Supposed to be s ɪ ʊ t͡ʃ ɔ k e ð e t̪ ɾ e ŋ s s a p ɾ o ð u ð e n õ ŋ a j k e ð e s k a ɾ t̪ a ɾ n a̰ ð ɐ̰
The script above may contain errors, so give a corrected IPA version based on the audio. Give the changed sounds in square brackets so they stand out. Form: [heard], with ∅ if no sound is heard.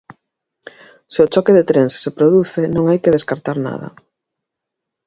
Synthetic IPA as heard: s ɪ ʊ t͡ʃ ɔ k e ð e t̪ ɾ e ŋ s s [e] p ɾ o ð u [θ] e n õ ŋ a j k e ð e s k a ɾ t̪ a ɾ n a̰ ð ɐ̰